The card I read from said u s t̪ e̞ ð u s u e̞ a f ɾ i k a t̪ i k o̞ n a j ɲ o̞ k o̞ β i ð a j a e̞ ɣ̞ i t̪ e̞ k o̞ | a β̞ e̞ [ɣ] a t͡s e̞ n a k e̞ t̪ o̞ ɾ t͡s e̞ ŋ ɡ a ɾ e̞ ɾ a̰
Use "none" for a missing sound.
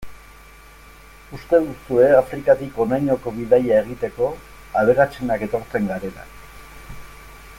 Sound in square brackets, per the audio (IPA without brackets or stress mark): ɣ